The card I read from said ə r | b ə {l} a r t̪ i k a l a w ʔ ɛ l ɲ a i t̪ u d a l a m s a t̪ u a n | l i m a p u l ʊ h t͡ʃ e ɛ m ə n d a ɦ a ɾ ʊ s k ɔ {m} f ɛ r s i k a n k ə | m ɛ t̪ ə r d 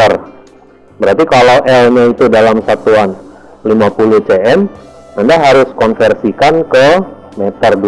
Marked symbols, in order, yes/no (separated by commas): no, no